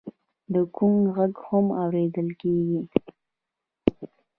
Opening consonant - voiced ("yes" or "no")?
yes